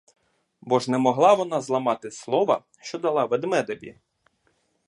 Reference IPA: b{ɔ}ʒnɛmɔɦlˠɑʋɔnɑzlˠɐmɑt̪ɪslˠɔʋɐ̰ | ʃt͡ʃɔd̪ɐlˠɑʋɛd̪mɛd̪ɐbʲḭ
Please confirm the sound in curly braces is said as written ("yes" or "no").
yes